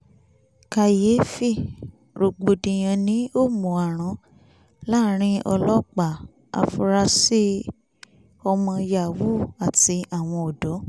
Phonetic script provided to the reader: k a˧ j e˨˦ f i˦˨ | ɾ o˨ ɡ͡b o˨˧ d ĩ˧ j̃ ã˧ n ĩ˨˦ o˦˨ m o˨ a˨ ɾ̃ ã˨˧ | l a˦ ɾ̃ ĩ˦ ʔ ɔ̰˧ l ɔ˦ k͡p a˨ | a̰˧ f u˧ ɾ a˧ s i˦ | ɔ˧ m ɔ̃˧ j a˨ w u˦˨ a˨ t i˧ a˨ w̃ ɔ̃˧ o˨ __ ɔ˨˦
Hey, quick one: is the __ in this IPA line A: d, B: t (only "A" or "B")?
A